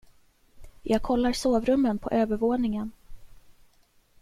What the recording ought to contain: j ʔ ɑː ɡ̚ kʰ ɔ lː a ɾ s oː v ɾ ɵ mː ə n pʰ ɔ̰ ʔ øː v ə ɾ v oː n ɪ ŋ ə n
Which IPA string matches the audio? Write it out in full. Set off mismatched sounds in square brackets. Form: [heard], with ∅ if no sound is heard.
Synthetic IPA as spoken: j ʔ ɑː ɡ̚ kʰ ɔ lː a ɾ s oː v ɾ ɵ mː ə n pʰ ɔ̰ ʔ øː v ə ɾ v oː n ɪ ŋ ə n